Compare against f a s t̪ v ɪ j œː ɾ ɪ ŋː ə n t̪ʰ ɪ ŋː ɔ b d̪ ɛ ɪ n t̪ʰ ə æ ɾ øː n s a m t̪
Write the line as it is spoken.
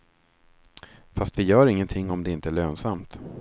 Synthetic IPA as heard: f a s t̪ v ɪ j œː ɾ ɪ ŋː ə n t̪ʰ ɪ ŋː ɔ m d̪ ɛ ɪ n t̪ ə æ ɭ øː n s a m t̪